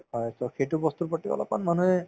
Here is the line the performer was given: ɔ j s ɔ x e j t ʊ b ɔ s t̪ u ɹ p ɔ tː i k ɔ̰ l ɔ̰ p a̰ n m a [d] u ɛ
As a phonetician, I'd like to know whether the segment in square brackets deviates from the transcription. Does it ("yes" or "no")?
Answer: yes